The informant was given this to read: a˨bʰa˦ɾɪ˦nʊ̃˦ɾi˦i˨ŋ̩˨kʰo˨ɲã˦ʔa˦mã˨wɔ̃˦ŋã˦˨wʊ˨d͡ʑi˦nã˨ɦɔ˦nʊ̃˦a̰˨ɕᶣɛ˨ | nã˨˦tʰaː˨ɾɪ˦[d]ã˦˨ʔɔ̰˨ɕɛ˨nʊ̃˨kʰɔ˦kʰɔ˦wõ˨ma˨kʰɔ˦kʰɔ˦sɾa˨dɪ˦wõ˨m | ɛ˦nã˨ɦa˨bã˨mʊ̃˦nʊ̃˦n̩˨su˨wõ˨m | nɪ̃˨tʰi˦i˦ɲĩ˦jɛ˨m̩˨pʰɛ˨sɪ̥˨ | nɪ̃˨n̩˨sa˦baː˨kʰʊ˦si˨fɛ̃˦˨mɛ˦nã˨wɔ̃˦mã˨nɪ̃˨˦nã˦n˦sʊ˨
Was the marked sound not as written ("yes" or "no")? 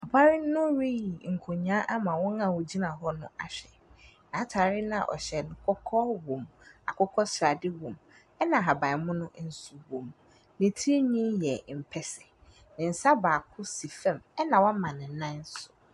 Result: yes